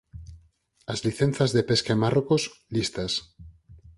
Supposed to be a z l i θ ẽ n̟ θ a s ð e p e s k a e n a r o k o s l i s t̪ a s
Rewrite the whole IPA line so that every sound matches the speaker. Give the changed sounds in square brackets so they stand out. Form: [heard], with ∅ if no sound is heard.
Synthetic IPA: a z l i θ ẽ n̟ θ a [z] ð e p e s k a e [m] a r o k o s l i s t̪ a s